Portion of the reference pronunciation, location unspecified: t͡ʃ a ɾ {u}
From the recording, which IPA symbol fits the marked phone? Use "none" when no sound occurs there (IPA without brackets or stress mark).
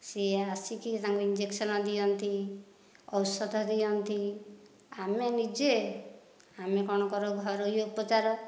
ɔ